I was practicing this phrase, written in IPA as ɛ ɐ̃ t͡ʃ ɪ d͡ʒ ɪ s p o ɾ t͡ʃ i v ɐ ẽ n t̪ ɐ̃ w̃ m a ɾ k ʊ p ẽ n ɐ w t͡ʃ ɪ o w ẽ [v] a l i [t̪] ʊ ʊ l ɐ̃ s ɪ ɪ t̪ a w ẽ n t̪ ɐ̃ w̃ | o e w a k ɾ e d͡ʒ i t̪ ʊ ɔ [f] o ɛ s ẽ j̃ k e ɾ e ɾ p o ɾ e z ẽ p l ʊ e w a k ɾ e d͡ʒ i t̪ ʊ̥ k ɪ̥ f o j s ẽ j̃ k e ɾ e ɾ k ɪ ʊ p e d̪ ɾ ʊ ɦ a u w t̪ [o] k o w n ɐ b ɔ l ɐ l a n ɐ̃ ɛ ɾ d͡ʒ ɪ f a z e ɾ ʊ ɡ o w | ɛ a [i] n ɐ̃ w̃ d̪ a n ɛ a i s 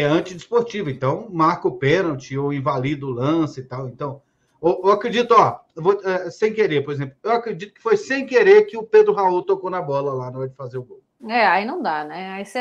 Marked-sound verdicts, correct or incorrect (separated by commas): correct, incorrect, incorrect, correct, correct